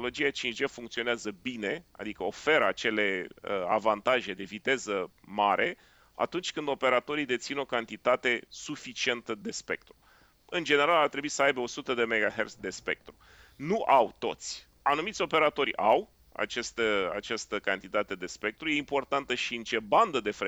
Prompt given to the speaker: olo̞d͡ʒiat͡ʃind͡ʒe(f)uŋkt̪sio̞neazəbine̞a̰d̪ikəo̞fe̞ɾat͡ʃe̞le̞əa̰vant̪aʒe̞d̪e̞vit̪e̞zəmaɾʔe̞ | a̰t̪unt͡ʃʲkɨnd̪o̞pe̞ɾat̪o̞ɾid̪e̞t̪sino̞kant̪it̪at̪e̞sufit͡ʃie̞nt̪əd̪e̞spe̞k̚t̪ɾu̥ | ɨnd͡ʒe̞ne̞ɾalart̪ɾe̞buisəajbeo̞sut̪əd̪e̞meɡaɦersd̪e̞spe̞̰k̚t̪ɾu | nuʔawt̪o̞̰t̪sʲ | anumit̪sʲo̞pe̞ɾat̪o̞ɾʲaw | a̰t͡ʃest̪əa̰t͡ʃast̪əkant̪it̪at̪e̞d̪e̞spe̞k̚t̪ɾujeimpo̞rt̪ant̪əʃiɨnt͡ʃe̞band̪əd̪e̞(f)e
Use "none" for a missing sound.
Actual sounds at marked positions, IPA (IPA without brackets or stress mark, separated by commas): f, f